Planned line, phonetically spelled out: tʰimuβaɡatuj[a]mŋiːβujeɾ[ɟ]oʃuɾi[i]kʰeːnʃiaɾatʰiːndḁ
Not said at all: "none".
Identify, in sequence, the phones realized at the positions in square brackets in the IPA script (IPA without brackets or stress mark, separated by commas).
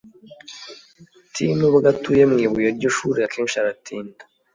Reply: e, ɟ, a